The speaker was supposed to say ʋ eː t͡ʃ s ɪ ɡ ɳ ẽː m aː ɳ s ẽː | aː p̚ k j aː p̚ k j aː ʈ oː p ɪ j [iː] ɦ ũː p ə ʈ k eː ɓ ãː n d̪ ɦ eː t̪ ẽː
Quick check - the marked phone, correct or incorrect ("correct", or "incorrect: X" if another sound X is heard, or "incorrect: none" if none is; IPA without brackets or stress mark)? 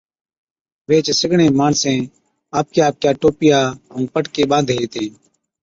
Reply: incorrect: aː